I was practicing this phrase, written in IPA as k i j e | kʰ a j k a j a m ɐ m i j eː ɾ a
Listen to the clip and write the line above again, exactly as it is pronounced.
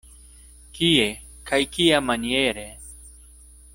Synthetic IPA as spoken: k i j e | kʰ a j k i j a m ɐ n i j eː ɾ e